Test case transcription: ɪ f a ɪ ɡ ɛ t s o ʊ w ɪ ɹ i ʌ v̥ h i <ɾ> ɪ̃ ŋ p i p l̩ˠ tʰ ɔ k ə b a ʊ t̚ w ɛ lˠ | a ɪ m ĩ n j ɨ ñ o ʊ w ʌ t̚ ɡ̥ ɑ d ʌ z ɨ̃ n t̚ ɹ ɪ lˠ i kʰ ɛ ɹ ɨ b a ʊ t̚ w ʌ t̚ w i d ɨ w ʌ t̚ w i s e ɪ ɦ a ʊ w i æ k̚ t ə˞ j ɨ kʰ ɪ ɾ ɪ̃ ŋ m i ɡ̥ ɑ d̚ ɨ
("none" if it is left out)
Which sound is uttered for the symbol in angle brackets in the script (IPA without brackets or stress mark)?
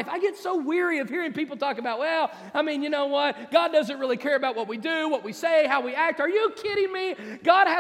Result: ɹ